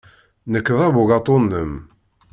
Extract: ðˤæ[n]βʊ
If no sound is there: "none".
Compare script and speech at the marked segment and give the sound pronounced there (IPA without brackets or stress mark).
none